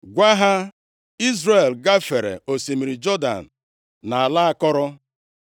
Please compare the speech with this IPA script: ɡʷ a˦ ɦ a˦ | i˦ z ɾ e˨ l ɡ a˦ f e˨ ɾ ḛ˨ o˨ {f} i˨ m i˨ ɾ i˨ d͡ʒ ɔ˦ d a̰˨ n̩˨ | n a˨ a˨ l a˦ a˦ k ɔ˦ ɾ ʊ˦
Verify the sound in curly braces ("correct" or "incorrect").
incorrect